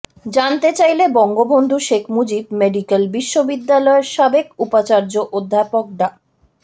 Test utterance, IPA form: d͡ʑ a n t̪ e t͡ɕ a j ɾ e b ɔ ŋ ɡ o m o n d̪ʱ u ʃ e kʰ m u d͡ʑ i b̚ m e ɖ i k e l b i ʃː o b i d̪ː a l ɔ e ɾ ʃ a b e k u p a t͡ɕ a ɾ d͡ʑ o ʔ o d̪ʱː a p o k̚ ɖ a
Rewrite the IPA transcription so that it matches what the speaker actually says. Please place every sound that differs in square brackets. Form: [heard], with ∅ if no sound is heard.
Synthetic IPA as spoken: d͡ʑ a n t̪ e t͡ɕ a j [l] e b ɔ ŋ ɡ o [b] o n d̪ʱ u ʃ e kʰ m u d͡ʑ i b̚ m e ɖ i k e l b i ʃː o b i d̪ː a l ɔ e ɾ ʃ a b e k u p a t͡ɕ a ɾ d͡ʑ o ʔ o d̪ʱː a p o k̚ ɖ a